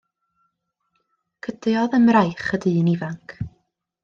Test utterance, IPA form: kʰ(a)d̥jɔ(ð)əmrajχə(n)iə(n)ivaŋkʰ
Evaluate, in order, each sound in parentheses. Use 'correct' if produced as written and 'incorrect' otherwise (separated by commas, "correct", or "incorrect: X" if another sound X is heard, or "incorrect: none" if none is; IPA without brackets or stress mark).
incorrect: ə, correct, incorrect: d, correct